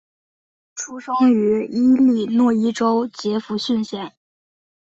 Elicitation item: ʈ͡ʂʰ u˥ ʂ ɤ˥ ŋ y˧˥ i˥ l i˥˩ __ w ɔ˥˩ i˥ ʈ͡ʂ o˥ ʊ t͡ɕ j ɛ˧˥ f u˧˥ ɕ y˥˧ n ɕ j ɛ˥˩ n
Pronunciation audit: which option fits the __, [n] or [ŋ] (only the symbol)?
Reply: n